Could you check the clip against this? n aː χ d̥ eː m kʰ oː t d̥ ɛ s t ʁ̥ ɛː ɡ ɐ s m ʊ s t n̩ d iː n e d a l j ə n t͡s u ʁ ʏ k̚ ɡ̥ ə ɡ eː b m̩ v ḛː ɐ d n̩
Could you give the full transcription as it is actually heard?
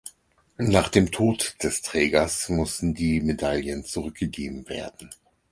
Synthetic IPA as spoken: n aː χ d̥ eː m tʰ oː t d̥ ɛ s t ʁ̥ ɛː ɡ ɐ s m ʊ s t n̩ d iː m e d a l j ə n t͡s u ʁ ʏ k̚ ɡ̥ ə ɡ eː b m̩ v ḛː ɐ d n̩